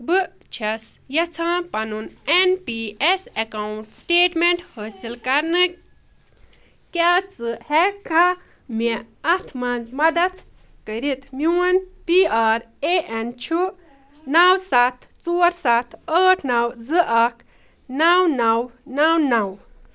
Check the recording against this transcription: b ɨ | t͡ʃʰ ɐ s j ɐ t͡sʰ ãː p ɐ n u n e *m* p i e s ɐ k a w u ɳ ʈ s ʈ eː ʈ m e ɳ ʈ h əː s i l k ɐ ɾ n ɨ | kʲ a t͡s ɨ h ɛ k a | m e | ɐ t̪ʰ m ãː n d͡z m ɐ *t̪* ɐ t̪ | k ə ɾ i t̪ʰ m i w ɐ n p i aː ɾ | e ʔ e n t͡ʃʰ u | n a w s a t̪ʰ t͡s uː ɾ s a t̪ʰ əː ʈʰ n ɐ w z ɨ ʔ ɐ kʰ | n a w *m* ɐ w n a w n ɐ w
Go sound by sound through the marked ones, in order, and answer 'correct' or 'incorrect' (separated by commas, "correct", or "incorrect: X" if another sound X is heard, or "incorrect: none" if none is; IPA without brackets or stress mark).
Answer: incorrect: n, incorrect: d̪, incorrect: n